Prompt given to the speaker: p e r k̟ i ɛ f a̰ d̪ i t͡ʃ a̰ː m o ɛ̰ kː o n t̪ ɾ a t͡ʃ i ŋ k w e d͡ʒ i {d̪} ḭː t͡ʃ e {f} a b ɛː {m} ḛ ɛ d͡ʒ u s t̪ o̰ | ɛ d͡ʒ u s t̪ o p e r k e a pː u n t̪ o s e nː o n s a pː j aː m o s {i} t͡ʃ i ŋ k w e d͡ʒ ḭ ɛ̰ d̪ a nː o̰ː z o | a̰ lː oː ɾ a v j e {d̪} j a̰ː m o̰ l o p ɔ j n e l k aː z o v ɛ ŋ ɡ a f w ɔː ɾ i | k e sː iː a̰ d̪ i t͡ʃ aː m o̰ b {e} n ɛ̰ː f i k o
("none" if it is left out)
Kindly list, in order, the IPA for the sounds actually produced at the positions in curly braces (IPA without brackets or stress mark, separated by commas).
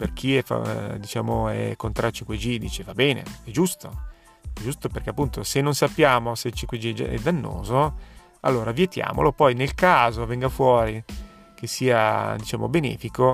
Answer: d̪, v, n, e, t̪, e